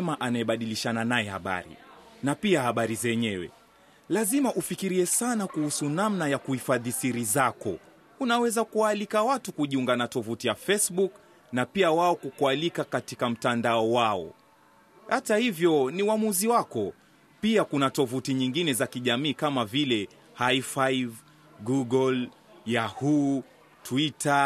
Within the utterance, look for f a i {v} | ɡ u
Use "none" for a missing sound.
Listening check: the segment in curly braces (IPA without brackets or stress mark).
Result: v